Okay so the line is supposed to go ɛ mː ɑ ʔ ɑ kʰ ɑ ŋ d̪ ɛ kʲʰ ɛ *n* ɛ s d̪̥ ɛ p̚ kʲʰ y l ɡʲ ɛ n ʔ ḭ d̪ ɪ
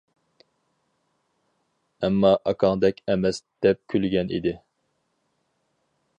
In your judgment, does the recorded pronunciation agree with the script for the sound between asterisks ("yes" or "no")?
no